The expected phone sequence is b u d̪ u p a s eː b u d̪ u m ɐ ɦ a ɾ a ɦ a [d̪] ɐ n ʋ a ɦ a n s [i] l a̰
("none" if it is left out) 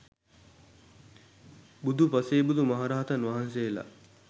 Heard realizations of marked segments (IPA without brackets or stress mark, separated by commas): t̪, e